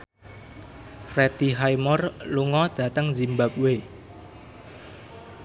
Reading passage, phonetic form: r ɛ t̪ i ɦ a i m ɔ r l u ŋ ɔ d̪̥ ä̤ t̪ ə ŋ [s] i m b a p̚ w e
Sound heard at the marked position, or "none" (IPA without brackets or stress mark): z